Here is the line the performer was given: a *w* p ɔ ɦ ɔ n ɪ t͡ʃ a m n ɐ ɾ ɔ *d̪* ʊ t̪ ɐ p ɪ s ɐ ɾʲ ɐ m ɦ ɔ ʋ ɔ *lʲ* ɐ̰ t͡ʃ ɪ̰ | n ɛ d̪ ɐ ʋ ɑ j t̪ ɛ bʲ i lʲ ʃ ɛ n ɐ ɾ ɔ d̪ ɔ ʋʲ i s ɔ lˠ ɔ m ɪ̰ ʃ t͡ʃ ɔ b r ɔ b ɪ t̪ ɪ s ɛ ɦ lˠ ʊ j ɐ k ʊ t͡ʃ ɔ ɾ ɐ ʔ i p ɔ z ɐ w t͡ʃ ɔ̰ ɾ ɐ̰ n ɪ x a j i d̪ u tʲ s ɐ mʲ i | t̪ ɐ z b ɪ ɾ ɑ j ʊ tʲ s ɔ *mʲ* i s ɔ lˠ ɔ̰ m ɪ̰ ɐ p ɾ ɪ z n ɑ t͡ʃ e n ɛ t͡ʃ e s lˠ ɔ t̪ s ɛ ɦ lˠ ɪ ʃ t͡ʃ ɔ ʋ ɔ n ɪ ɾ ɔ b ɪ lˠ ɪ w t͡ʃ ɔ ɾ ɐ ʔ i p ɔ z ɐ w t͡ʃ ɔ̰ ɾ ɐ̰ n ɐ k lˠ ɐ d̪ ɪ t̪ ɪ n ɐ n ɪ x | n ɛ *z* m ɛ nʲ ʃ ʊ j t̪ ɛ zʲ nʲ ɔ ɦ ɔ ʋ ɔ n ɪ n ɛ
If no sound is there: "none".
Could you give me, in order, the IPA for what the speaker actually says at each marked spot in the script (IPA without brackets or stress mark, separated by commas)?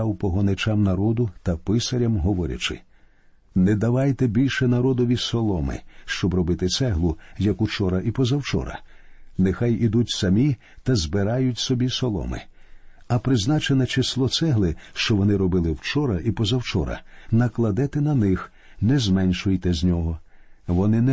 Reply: w, d̪, ɾʲ, bʲ, z